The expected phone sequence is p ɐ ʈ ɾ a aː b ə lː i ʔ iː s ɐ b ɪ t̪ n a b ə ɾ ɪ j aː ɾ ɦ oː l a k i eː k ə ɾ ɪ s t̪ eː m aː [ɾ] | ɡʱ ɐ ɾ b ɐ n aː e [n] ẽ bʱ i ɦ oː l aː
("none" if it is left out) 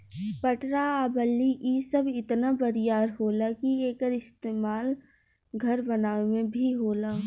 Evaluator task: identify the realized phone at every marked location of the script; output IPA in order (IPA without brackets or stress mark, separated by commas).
l, m